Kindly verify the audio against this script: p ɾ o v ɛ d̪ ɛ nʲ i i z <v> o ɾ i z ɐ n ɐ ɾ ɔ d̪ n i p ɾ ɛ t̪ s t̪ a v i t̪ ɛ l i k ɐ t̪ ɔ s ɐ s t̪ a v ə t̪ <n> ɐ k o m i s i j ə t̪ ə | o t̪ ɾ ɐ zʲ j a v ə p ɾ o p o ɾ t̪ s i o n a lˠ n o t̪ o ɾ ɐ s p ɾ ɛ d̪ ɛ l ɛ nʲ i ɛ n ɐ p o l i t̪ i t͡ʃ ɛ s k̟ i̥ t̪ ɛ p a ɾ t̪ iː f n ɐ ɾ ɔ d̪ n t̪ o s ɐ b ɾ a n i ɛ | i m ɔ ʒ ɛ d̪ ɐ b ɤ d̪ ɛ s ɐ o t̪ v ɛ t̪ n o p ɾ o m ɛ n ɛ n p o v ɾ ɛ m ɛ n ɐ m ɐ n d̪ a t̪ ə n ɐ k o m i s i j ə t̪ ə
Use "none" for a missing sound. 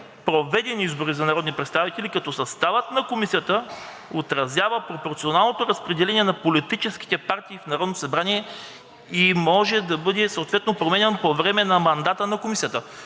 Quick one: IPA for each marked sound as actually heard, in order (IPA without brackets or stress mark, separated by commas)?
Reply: b, n